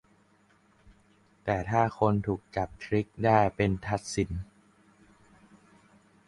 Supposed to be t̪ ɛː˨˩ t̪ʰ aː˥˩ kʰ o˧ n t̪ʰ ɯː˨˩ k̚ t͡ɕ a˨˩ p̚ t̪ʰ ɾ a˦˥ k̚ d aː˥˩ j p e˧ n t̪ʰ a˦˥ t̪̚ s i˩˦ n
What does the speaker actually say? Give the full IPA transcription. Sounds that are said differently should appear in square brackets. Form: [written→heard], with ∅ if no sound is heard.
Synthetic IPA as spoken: t̪ ɛː˨˩ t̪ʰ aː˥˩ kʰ o˧ n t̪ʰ [ɯː˨˩→uː˨˩] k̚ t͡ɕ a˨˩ p̚ t̪ʰ ɾ [a˦˥→i˦˥] k̚ d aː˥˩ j p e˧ n t̪ʰ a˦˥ t̪̚ s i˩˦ n